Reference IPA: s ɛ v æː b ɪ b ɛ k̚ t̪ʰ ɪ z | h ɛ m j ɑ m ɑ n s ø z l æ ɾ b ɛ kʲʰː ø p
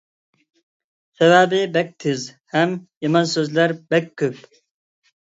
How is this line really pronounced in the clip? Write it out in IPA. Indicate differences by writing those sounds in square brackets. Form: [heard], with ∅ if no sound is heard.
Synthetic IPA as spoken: s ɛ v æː b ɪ b ɛ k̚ t̪ʰ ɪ z | h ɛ m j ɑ m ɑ n s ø z l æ ɾ b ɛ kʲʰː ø p